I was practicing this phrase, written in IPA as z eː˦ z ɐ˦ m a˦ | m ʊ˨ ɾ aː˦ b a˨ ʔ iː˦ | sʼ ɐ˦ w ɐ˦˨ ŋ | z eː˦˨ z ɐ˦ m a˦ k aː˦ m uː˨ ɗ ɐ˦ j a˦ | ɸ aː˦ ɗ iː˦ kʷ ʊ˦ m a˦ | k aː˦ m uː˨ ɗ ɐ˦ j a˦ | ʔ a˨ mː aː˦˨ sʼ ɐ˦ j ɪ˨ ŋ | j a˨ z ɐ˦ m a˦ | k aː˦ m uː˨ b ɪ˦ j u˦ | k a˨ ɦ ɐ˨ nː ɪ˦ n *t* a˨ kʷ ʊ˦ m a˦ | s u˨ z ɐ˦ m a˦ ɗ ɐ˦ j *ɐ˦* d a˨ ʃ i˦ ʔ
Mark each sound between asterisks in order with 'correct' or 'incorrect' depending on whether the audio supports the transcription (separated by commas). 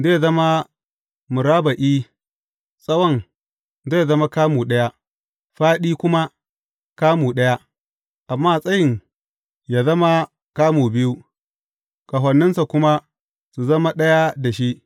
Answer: incorrect, incorrect